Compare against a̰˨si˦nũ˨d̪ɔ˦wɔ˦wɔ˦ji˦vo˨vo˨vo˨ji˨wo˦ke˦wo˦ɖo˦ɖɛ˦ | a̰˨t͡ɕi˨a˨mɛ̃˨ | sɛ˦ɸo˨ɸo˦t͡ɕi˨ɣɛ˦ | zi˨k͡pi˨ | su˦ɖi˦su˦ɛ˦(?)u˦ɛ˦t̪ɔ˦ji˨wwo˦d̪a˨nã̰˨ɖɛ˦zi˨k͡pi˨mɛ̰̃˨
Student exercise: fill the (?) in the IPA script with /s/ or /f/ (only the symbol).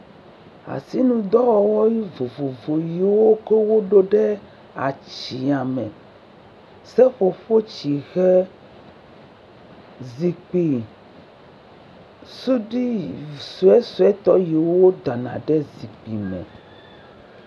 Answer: s